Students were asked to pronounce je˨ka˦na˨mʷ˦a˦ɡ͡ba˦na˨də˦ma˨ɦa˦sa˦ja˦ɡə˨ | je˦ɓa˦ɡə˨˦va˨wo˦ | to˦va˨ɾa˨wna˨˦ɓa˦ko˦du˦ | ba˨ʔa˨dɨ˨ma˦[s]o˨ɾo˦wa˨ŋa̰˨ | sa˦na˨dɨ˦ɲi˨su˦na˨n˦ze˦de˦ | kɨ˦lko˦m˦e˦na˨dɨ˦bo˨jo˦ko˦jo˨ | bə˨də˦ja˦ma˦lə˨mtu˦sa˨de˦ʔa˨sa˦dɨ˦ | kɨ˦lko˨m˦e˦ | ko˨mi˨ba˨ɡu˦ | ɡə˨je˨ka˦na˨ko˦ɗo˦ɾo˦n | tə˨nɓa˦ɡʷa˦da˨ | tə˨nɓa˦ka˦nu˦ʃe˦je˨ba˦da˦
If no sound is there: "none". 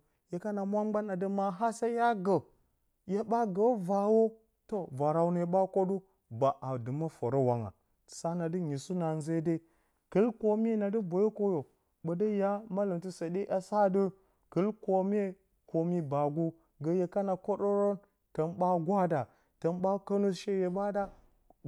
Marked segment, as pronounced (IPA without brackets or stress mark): f